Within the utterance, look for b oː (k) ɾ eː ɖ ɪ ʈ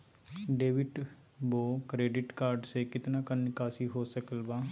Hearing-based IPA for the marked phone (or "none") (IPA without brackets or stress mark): k